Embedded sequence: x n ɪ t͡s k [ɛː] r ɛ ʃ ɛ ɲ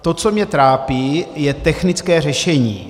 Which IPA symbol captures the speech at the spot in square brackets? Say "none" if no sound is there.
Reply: ɛː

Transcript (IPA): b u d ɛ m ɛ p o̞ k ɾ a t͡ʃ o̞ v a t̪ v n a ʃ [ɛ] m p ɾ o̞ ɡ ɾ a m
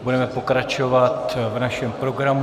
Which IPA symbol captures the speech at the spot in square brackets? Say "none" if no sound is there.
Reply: ɛ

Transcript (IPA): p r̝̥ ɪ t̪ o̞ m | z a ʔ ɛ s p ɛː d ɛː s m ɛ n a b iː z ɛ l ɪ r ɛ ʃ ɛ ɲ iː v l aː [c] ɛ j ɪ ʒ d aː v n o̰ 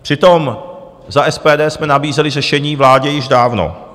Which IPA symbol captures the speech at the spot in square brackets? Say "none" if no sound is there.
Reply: ɟ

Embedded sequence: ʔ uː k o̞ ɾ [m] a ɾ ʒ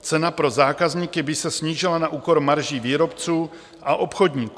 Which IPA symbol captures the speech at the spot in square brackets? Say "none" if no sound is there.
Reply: m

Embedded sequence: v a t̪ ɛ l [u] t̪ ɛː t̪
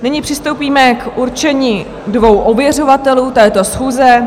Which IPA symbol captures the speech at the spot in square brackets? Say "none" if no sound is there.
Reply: uː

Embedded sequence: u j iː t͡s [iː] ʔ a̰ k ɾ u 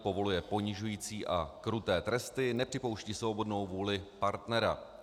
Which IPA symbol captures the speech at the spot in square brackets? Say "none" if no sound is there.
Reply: iː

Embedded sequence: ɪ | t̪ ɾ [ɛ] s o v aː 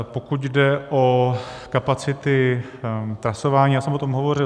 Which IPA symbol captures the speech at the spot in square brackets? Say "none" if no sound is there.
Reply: a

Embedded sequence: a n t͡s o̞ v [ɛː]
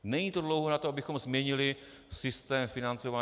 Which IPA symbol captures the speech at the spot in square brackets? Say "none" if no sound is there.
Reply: aː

